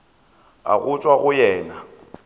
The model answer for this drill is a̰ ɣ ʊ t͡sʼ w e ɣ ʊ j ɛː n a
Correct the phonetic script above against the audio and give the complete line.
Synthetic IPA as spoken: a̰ ɣ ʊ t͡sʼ w a ɣ ʊ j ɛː n a

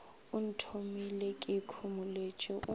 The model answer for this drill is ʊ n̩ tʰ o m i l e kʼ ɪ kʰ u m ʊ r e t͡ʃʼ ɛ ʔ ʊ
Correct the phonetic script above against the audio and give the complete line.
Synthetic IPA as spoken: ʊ n̩ tʰ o m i l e kʼ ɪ kʰ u m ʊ l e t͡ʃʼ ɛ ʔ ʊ

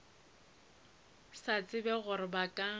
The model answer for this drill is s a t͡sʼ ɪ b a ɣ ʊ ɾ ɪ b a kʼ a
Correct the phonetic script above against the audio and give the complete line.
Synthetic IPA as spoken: s a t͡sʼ ɪ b ɛ ɣ ʊ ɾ ɪ b a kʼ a

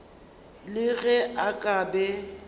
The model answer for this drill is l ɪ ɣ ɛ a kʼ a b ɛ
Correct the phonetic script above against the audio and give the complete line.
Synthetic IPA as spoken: l ɪ ɣ ɛ a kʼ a b ɛ

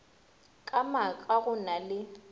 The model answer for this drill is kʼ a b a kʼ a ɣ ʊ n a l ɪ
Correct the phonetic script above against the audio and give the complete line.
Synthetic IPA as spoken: kʼ a m a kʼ a ɣ ʊ n a l ɪ

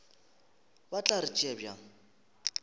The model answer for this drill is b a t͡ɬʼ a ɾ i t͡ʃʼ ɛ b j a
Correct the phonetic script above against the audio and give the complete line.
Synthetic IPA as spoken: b a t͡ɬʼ a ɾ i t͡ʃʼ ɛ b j a

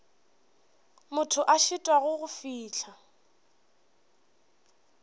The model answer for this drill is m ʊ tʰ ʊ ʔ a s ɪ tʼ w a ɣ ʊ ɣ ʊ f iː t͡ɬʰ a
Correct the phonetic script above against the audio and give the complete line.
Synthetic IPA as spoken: m ʊ tʰ ʊ ʔ a ʃ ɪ tʼ w a ɣ ʊ ɣ ʊ f iː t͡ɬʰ a

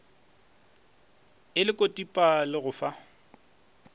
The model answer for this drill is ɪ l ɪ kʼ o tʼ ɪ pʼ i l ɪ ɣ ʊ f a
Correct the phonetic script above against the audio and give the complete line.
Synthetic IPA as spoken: ɪ l ɪ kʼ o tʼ i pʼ a l ɪ ɣ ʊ f a

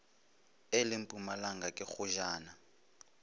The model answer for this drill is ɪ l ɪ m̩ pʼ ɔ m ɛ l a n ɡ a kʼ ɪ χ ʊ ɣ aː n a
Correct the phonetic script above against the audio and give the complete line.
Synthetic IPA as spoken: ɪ l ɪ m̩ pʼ u m a l a ŋ ɡ a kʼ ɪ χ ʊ ʒ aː n a

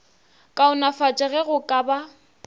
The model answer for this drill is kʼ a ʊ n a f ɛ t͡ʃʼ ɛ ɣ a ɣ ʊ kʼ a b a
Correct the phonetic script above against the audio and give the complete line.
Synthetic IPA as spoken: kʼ a ʊ n a f a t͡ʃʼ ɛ ɣ ɛ ɣ ʊ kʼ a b a

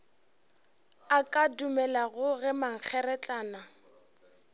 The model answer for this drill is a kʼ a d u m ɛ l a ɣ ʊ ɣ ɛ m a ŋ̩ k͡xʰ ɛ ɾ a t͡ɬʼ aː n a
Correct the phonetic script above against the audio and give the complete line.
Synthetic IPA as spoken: a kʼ a d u m ɛ l a ɣ ʊ ɣ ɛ m a ŋ̩ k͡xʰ ɛ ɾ ɛ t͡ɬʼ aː n a

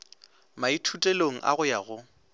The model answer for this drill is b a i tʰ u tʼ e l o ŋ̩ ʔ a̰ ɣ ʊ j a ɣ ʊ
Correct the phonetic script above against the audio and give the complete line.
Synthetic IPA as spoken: m a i tʰ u tʼ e l o ŋ̩ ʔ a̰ ɣ ʊ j a ɣ ʊ

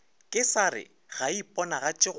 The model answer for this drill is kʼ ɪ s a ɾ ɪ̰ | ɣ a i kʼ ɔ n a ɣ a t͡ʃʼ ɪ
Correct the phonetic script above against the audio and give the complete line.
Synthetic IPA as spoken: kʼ ɪ s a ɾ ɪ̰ | ɣ a i pʼ ɔ n a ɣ a t͡ʃʼ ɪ

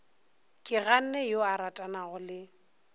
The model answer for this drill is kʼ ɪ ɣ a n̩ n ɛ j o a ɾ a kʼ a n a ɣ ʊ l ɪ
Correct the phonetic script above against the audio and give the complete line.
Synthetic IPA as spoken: kʼ ɪ ɣ a n̩ n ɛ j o a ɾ a tʼ a n a ɣ ʊ l ɪ

